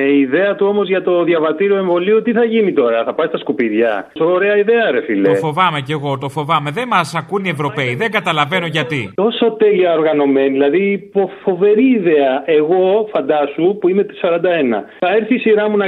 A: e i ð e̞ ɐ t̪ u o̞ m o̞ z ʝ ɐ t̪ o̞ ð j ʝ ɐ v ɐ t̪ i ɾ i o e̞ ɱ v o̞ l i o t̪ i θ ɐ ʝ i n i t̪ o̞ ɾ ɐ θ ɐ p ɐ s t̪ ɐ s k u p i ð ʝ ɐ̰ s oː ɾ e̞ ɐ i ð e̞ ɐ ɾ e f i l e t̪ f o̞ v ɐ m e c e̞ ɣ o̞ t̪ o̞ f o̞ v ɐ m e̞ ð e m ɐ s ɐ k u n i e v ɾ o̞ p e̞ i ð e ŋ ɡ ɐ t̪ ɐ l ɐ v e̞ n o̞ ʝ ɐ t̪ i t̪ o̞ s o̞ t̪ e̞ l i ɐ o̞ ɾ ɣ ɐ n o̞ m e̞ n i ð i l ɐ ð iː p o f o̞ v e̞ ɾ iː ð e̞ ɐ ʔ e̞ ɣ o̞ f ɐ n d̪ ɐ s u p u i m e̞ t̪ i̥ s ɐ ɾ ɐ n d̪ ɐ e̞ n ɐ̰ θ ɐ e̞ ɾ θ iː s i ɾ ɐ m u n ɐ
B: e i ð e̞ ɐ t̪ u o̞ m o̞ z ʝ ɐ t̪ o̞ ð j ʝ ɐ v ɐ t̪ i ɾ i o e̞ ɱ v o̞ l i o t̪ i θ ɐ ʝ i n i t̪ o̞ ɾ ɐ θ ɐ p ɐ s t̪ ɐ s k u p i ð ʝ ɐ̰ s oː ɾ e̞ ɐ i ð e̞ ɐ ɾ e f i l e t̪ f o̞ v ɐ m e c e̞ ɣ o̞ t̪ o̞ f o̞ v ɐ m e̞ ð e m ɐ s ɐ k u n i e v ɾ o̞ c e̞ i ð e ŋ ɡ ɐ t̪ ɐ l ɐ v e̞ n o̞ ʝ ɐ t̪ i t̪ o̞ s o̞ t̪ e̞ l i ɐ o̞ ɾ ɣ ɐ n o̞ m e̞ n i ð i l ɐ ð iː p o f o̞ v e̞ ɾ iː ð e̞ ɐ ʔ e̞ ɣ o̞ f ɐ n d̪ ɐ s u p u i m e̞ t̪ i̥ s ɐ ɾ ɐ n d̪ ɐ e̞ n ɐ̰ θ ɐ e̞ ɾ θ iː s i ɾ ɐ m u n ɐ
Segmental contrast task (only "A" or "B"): A